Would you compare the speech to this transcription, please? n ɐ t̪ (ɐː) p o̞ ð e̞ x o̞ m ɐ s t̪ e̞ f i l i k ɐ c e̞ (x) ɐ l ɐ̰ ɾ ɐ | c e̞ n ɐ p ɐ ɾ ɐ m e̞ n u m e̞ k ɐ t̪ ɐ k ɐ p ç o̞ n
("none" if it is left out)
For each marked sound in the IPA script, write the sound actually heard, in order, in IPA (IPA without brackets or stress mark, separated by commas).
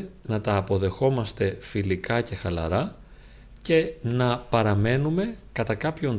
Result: ɐː, x